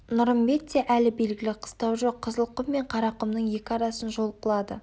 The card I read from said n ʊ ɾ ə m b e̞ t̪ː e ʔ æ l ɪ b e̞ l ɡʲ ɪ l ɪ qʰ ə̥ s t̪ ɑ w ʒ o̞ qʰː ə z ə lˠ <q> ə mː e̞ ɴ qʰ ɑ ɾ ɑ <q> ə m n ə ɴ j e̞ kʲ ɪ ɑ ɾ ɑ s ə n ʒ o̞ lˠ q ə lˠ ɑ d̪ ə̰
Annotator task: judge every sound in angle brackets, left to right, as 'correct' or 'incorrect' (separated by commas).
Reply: correct, correct